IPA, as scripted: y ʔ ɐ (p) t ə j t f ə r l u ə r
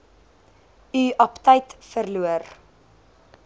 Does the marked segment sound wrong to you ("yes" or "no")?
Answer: no